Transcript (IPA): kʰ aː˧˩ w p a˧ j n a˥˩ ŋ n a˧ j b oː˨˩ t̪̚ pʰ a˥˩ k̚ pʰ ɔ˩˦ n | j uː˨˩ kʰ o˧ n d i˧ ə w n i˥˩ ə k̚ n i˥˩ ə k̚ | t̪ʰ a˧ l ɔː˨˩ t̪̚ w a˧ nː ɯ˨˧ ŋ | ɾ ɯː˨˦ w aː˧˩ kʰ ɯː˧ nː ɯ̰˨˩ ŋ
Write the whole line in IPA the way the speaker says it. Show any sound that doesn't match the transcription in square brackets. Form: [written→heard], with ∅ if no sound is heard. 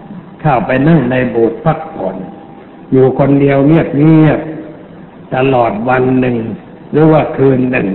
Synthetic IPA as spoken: kʰ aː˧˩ w p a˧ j n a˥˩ ŋ n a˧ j b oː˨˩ t̪̚ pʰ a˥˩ k̚ pʰ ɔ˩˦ n | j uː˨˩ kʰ o˧ n d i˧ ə w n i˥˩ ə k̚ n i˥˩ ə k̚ | [t̪ʰ→t̪] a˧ l ɔː˨˩ t̪̚ w a˧ nː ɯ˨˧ ŋ | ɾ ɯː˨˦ w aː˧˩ kʰ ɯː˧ nː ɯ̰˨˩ ŋ